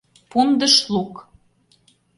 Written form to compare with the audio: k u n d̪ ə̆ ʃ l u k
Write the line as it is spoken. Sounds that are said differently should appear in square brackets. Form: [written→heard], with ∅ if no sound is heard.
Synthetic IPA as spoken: [k→p] u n d̪ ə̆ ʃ l u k

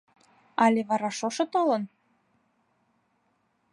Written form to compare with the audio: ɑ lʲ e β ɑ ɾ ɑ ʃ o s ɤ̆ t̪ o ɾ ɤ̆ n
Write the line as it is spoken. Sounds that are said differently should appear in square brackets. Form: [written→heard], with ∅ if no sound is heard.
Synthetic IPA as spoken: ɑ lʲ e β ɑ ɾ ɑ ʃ o [s→ʃ] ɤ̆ t̪ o [ɾ→l] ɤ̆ n

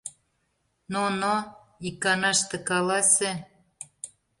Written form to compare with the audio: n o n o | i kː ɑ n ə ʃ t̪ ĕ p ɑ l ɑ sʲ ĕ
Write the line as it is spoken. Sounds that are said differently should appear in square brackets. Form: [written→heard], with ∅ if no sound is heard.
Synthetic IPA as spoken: n o n o | i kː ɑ n [ə→ɑ] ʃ t̪ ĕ [p→k] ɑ l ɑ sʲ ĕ

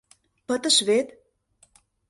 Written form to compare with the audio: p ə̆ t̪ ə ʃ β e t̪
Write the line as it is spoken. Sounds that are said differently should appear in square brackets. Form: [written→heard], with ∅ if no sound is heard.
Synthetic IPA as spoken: p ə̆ t̪ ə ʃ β e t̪

